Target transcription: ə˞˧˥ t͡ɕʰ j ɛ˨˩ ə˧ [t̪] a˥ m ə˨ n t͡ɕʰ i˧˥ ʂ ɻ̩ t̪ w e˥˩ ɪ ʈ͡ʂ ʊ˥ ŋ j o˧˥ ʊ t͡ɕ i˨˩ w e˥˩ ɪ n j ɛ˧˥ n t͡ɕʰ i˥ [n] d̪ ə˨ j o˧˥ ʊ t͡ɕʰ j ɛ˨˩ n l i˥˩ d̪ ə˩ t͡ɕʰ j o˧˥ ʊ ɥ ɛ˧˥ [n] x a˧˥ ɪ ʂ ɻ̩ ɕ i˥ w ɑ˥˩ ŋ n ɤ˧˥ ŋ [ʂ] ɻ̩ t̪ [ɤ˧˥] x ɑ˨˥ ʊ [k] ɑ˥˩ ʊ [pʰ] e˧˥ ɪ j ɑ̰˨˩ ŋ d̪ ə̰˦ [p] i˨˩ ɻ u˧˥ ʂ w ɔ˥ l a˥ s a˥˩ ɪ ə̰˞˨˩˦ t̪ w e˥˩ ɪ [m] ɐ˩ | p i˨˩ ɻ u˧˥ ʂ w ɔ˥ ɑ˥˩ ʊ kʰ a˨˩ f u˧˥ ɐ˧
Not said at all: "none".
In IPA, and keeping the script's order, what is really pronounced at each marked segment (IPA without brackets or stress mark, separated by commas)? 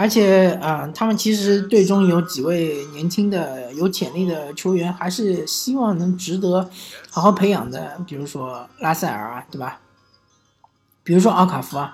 t̪ʰ, ŋ, n, ʈ͡ʂ, ɤ˧˥, x, pʰ, p, b